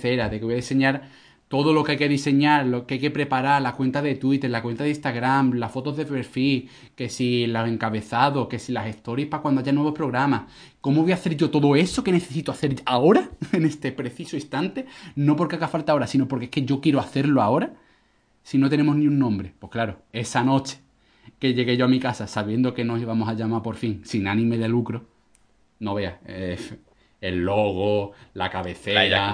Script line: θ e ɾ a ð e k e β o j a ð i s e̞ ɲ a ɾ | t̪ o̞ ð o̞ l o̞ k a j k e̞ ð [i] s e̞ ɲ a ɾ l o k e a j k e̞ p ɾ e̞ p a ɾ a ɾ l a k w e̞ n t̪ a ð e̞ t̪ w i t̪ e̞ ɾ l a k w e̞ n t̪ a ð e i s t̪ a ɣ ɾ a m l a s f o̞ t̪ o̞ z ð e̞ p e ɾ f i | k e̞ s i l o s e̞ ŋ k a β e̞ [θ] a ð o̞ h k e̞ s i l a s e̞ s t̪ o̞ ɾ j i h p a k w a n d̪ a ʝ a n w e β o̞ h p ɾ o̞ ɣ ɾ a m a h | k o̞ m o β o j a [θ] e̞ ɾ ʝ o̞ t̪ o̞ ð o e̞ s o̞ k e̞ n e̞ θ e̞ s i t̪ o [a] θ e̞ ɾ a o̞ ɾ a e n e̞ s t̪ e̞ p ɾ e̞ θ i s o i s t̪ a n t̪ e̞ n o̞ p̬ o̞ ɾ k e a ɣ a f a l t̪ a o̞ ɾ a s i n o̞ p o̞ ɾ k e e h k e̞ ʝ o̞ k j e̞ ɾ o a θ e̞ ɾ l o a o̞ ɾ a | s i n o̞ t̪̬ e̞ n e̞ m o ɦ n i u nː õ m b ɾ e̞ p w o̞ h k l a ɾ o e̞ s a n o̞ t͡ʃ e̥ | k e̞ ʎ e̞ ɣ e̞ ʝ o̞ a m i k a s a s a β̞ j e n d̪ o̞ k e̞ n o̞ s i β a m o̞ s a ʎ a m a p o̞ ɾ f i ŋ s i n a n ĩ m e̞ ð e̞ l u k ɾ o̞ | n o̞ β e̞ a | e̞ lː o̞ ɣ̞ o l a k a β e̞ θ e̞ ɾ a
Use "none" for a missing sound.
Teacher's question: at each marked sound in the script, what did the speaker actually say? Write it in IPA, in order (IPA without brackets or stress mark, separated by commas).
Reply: i, θ, θ, a